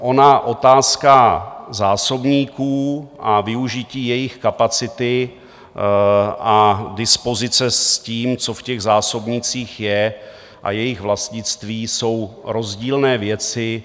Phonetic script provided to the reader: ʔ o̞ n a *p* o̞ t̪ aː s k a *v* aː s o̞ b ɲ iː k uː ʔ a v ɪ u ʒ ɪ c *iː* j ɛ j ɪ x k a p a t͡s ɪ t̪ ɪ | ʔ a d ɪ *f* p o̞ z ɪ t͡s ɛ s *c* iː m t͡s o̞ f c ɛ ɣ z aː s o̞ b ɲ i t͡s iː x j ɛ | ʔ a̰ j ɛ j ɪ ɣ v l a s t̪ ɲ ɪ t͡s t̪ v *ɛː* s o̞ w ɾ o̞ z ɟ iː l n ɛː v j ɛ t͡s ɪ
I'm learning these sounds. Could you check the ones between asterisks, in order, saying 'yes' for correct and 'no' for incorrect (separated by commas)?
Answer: no, no, yes, no, yes, no